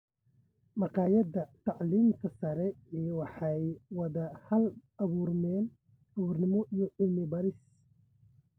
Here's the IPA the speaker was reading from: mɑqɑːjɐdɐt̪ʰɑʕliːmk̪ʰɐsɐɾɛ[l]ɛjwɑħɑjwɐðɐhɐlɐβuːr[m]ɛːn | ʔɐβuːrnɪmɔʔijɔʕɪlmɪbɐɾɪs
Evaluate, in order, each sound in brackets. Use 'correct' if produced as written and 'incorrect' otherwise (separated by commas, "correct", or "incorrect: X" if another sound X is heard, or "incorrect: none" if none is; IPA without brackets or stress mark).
incorrect: none, correct